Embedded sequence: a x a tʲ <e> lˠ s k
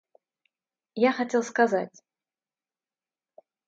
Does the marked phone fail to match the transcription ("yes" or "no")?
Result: no